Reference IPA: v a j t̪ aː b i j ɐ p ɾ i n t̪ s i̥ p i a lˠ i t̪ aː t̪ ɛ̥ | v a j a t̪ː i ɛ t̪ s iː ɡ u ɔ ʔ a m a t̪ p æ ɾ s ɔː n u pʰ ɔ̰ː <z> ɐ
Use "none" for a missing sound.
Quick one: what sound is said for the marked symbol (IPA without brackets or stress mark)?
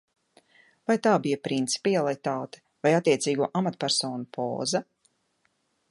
z